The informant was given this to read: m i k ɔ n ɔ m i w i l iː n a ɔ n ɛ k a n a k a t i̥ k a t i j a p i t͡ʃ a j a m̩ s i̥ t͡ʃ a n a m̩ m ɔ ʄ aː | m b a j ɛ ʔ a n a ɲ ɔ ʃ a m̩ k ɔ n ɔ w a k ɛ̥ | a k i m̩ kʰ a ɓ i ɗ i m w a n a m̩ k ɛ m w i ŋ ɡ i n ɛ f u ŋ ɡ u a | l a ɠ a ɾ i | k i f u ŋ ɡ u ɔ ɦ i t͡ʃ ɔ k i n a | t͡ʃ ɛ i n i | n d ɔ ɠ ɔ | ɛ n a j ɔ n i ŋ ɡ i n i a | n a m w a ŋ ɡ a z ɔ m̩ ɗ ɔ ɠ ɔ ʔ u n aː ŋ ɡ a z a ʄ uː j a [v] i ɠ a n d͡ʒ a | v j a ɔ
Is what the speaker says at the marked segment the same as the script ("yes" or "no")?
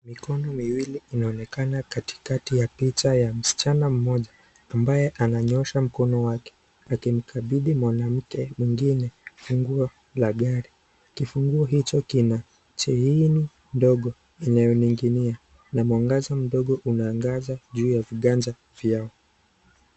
yes